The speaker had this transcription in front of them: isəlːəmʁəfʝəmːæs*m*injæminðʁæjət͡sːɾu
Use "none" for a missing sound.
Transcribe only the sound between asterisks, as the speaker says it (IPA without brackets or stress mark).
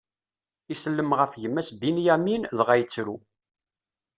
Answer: b